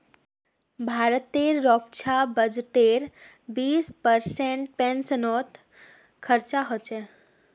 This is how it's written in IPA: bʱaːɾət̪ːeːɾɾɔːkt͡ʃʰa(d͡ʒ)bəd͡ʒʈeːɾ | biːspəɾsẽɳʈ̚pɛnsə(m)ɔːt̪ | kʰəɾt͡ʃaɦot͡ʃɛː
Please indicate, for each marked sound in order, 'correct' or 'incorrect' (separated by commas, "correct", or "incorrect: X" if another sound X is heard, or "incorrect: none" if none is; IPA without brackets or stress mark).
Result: incorrect: none, incorrect: n